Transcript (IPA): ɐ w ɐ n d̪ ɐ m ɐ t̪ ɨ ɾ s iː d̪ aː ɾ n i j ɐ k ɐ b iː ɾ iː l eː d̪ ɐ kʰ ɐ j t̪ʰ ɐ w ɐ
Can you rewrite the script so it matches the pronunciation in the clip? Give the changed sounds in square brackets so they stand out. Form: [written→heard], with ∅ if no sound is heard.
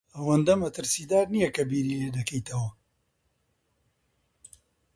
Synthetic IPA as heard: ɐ w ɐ n d̪ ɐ m ɐ t̪ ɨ ɾ s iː d̪ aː ɾ n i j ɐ k ɐ b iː ɾ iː l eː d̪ ɐ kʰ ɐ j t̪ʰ ɐ w ɐ